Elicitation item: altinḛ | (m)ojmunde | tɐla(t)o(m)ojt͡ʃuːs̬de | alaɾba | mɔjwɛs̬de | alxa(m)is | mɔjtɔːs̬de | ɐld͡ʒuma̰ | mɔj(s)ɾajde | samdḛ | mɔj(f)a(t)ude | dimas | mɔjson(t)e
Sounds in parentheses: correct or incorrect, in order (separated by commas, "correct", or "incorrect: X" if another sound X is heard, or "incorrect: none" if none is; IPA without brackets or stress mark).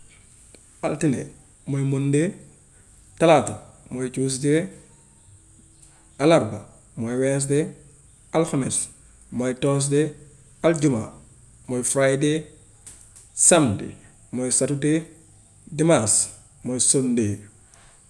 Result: correct, correct, correct, correct, incorrect: f, incorrect: s, correct, incorrect: d